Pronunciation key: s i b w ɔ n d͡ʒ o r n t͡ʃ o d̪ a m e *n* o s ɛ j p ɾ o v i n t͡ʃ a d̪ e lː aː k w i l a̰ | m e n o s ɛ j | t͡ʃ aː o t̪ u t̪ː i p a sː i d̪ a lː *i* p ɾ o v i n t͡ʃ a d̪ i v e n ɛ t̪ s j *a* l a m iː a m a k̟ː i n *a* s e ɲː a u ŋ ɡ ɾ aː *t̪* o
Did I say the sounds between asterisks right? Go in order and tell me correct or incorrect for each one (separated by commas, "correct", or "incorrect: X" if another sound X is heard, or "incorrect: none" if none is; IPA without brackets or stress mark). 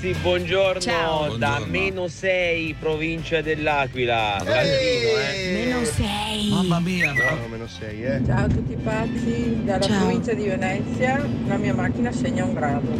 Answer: correct, incorrect: a, correct, correct, incorrect: d̪